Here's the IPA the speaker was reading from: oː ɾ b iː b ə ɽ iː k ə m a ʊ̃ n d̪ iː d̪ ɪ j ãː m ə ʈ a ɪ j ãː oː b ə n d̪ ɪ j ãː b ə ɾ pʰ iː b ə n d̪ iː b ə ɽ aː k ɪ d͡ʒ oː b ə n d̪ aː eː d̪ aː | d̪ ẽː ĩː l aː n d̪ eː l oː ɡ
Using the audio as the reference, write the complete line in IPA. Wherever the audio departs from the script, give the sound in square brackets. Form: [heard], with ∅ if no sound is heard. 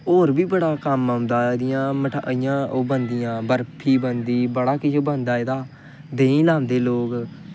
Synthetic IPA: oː ɾ b iː b ə ɽ [aː] k ə m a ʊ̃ n d̪ [aː] d̪ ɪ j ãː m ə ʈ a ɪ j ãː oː b ə n d̪ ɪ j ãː b ə ɾ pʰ iː b ə n d̪ iː b ə ɽ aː k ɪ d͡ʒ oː b ə n d̪ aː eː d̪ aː | d̪ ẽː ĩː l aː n d̪ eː l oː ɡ

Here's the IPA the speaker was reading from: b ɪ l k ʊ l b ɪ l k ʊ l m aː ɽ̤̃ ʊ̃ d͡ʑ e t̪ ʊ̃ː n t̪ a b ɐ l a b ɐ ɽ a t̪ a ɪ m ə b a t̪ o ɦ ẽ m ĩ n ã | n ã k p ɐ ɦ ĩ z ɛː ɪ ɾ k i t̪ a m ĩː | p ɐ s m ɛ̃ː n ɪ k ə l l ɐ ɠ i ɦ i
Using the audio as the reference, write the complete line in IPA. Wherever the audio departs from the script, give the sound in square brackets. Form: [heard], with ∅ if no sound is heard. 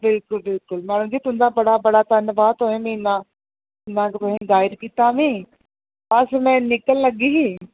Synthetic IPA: b ɪ l k ʊ l b ɪ l k ʊ l m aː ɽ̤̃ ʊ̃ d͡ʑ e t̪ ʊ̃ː n [d̪] a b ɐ [ɽ] a b ɐ ɽ a t̪ a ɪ [n] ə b a t̪ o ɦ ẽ m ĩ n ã | n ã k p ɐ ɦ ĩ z [aː] ɪ ɾ k i t̪ a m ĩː | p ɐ s m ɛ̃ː n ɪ k ə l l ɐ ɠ i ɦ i

